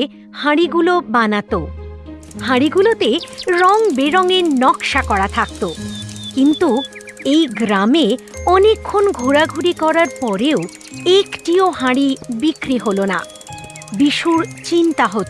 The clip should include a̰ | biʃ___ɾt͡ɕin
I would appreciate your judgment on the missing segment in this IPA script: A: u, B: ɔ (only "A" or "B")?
A